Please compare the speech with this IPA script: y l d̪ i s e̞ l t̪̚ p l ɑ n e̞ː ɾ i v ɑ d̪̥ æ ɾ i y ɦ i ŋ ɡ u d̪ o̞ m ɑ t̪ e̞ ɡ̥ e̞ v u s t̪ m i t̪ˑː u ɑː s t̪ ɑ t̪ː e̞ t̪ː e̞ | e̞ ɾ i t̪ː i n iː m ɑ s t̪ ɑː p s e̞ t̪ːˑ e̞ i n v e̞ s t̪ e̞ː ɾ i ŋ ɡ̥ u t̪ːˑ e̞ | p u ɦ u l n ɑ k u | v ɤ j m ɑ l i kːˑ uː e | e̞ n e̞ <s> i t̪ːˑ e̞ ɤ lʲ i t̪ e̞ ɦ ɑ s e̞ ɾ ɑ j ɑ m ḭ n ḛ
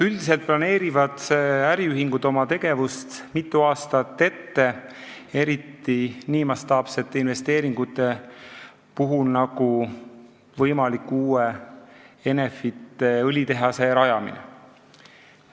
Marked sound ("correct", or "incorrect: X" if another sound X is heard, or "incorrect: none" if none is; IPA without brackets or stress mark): incorrect: f